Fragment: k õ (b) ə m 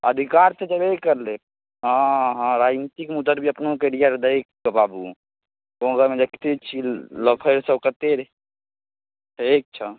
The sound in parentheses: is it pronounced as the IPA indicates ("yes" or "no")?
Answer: no